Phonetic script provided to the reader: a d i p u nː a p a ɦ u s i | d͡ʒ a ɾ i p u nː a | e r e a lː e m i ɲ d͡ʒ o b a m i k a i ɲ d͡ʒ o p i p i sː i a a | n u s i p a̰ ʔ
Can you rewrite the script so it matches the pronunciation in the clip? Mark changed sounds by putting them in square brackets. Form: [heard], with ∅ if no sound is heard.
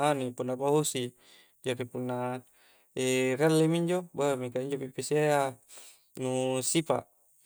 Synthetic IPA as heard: a [n] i p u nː a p a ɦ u s i | d͡ʒ a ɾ i p u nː a | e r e a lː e m i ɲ d͡ʒ o b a m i k a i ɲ d͡ʒ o p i p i [s] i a a | n u s i p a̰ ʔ